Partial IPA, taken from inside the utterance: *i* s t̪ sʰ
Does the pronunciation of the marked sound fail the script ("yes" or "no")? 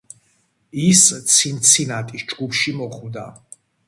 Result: no